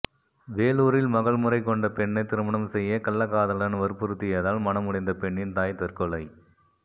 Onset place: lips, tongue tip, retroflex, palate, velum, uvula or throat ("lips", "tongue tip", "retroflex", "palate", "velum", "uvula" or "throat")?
lips